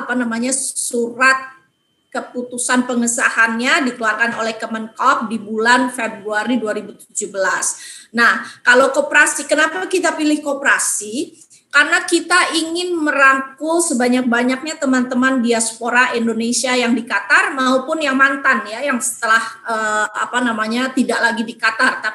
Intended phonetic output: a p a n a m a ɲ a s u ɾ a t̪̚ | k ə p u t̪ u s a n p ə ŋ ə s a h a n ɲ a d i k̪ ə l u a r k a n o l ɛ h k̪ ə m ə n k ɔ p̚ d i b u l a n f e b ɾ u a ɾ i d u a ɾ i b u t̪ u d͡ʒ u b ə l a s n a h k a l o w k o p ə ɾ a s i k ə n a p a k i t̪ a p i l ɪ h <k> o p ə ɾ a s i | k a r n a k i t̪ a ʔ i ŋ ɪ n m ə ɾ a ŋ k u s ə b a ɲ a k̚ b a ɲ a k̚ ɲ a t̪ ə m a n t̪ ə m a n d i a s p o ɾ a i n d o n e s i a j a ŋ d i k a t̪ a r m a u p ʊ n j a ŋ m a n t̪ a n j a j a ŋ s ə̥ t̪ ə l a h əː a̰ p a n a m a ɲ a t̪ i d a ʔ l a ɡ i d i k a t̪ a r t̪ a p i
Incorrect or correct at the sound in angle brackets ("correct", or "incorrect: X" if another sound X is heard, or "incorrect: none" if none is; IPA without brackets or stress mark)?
correct